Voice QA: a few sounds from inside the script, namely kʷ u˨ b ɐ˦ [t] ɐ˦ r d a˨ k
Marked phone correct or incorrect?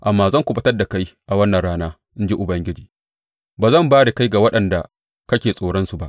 correct